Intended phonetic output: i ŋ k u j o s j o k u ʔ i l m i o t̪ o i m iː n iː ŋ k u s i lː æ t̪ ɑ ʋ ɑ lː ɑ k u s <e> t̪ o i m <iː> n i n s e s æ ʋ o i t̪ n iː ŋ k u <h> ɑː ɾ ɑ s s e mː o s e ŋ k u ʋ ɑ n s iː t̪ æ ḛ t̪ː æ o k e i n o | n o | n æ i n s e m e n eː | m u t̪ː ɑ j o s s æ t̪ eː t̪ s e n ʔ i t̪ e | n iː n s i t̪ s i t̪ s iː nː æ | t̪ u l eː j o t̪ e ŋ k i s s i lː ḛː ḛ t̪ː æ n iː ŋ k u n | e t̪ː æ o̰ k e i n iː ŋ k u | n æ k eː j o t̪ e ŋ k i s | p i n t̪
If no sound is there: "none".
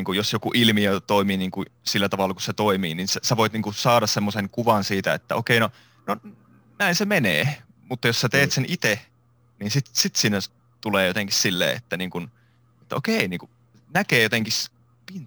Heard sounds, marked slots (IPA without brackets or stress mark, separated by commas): e, iː, s